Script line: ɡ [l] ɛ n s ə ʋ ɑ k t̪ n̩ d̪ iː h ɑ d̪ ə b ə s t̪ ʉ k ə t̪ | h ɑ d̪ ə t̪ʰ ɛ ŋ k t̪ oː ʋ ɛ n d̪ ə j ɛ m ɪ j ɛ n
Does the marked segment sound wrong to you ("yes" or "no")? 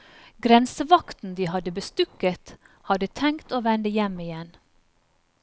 yes